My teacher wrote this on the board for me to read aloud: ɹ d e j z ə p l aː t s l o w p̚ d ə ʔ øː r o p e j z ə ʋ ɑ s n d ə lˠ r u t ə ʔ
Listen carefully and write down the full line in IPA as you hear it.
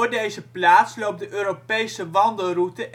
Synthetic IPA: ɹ d e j z ə p l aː t s l o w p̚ d ə ʔ øː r o p e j s ə ʋ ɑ n d ə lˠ r u t ə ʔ